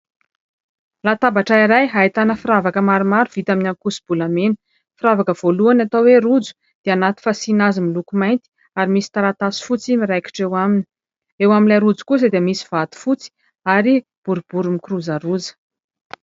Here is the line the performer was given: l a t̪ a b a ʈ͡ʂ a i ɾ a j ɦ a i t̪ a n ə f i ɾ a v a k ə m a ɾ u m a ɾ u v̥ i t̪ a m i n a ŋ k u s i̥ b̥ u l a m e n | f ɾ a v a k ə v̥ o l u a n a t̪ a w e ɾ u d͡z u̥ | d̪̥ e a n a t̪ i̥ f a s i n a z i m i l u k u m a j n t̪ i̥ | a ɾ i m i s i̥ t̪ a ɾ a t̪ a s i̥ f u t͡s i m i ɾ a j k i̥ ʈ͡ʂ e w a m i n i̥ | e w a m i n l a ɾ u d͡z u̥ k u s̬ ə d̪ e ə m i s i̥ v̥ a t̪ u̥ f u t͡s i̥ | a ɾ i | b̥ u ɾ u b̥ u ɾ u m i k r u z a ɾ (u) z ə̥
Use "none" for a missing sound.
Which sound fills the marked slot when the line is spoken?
u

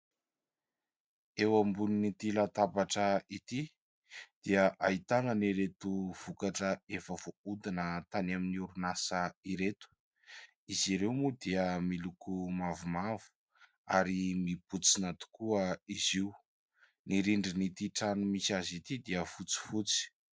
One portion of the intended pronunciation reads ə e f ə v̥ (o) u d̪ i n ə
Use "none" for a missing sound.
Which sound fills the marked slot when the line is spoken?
o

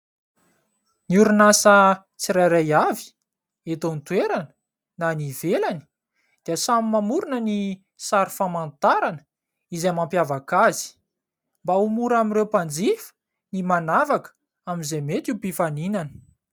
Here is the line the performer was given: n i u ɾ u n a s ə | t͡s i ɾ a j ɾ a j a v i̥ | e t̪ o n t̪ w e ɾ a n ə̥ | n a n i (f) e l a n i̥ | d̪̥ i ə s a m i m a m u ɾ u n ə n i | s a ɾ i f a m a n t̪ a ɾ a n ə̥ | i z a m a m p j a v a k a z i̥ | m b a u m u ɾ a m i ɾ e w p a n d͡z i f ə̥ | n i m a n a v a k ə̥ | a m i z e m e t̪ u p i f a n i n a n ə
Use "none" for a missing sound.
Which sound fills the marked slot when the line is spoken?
v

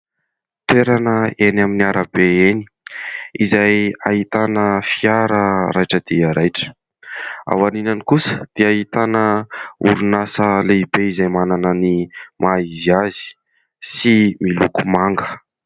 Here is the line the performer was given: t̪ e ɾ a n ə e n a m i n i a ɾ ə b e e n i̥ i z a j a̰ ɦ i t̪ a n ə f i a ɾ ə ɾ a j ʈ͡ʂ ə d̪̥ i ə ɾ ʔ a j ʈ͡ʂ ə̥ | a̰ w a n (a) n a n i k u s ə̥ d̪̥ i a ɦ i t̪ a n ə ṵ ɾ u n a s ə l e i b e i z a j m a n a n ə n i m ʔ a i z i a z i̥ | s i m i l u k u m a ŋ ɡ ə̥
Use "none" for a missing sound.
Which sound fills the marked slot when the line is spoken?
i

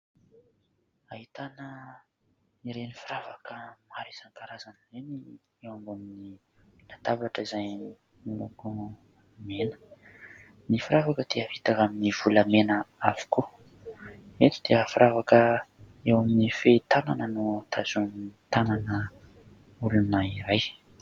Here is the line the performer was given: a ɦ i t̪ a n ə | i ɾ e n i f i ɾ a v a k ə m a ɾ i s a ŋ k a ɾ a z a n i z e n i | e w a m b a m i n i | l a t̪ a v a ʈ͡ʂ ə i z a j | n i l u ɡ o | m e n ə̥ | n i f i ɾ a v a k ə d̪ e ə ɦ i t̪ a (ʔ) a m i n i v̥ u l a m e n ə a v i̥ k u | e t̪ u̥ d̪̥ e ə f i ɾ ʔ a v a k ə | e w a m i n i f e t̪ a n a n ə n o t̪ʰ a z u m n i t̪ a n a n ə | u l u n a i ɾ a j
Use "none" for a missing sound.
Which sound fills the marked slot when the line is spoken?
k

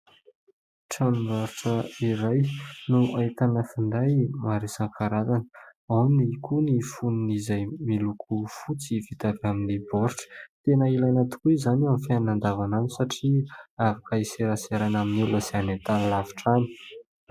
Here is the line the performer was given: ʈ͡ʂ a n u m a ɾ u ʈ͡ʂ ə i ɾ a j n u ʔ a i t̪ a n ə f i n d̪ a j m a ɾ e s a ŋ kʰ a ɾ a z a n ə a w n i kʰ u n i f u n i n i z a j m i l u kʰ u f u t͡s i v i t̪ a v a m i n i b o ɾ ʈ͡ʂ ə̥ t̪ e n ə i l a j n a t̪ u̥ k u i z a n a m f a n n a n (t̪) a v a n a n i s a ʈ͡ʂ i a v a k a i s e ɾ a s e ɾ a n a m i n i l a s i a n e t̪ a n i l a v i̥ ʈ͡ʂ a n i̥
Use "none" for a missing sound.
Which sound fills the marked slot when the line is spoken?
d̪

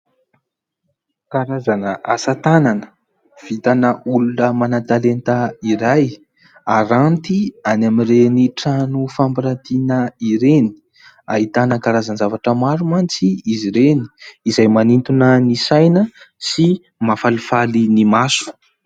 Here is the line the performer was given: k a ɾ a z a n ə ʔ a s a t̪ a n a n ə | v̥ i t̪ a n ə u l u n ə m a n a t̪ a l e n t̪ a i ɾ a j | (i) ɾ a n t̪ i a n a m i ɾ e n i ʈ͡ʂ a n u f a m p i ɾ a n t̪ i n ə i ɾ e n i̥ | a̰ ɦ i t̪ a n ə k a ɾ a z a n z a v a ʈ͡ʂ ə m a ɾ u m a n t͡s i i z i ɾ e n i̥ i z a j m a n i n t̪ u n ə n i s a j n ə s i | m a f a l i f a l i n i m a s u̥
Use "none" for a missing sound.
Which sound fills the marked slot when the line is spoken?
a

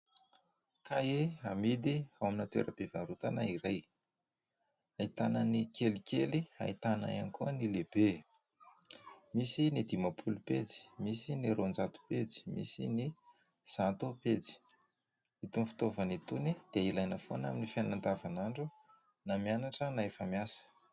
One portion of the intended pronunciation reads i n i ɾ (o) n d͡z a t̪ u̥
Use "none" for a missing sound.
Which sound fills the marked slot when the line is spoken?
o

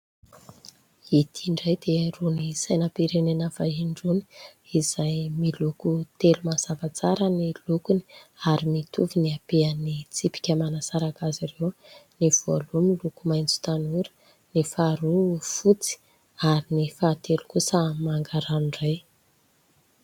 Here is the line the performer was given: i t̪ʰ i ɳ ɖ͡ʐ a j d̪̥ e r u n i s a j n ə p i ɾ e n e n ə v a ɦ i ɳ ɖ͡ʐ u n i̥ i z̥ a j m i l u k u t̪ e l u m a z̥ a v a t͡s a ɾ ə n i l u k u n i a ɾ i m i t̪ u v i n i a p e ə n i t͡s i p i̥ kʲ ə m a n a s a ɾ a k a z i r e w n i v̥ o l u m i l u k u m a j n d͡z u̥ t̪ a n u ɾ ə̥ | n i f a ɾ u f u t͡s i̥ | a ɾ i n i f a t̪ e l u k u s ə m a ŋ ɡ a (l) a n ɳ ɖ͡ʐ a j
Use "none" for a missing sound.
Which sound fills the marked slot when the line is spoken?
ɾ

